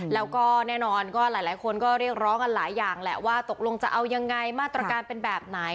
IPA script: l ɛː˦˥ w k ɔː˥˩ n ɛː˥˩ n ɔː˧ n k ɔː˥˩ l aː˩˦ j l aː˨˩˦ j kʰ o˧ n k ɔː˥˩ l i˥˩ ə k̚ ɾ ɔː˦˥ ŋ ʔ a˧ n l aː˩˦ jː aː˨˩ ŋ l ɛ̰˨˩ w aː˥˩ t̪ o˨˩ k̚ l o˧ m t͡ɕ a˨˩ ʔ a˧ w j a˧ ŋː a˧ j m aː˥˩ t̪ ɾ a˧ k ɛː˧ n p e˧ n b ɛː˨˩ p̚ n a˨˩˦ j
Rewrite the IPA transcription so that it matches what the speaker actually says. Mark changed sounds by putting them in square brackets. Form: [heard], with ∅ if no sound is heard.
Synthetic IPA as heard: l ɛː˦˥ w k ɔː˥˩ n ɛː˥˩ n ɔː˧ n k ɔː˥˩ l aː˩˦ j l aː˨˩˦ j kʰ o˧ n k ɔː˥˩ [ɾ] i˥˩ ə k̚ ɾ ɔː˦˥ ŋ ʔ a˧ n l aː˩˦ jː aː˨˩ ŋ l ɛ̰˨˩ w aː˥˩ t̪ o˨˩ k̚ l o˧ [ŋ] t͡ɕ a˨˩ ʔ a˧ w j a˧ ŋː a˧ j m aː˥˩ t̪ ɾ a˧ k [aː˧] n p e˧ n b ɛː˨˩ p̚ n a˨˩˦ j